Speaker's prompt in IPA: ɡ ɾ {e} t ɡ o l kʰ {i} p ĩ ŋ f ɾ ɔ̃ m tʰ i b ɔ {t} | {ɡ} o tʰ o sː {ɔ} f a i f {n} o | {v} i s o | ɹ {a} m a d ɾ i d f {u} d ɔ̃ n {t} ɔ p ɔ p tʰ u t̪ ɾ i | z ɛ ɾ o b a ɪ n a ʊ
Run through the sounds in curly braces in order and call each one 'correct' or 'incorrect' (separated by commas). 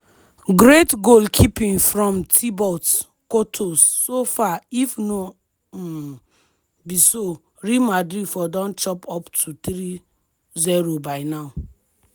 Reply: correct, correct, correct, incorrect, incorrect, correct, incorrect, incorrect, incorrect, incorrect